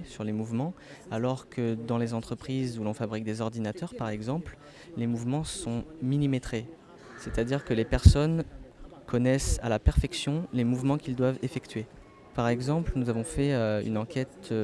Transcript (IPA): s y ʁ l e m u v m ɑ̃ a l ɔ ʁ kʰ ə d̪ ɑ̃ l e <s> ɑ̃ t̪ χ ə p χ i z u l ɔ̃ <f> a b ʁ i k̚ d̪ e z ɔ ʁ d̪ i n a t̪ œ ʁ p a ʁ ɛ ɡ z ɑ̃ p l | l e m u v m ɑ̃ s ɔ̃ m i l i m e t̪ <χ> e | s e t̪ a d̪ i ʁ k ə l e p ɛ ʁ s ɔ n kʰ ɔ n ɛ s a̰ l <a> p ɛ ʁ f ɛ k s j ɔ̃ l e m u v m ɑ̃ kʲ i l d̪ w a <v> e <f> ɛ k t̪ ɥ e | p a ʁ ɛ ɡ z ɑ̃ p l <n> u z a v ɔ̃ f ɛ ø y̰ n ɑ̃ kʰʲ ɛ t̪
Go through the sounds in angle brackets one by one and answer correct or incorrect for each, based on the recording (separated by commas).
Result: incorrect, correct, correct, correct, correct, correct, correct